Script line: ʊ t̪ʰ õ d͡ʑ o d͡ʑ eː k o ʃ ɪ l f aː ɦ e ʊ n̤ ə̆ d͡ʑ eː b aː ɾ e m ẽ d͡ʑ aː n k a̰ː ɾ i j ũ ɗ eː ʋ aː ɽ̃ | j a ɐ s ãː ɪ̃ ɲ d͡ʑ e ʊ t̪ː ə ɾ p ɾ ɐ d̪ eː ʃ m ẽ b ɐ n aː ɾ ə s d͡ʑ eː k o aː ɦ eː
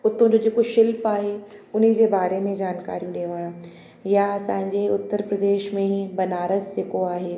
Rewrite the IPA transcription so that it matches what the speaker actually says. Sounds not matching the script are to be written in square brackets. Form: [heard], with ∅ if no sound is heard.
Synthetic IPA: ʊ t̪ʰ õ d͡ʑ o d͡ʑ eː k o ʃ ɪ l f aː ɦ e ʊ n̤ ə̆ d͡ʑ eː b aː ɾ e m ẽ d͡ʑ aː n k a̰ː ɾ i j ũ ɗ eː ʋ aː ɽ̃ | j a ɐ s ãː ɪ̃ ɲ d͡ʑ e ʊ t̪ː ə ɾ p ɾ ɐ d̪ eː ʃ m ẽ b ɐ n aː ɾ ə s d͡ʑ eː k o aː ɦ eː